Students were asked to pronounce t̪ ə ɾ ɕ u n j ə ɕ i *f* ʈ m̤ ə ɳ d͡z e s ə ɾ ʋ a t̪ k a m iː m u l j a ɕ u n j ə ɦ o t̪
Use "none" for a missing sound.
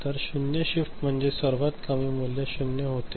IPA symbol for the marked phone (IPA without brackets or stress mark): f